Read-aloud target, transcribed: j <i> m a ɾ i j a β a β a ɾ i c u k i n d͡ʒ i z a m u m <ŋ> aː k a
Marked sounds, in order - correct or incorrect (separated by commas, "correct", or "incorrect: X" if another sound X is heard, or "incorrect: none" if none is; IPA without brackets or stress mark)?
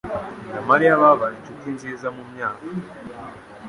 incorrect: a, incorrect: ɲ